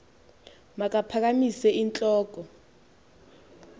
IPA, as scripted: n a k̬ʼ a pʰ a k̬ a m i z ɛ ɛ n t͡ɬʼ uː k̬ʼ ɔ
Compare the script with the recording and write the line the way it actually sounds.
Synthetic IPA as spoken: m a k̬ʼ a pʰ a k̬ a m i s ɛ i n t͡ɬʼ ɔː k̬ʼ ɔ